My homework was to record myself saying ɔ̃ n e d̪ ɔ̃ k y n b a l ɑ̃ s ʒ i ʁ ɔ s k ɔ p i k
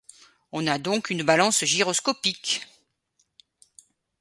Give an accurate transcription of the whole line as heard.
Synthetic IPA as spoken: ɔ̃ n a d̪ ɔ̃ k y n b a l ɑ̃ s ʒ i ʁ ɔ s k ɔ p i k